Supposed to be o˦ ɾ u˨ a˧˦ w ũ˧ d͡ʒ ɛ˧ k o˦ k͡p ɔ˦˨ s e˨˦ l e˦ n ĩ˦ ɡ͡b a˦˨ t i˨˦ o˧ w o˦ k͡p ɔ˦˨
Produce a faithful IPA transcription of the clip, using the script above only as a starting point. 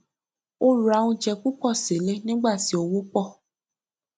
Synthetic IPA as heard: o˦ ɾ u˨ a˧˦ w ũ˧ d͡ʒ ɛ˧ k u˦ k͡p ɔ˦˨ s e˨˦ l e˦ n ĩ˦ ɡ͡b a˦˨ t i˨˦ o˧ w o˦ k͡p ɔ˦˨